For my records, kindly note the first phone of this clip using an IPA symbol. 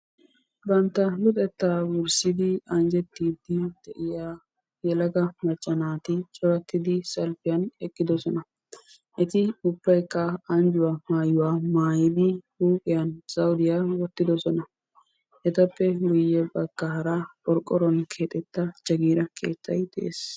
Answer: b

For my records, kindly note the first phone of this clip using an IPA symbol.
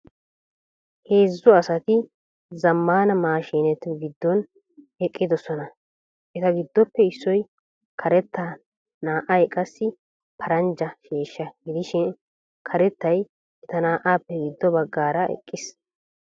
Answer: h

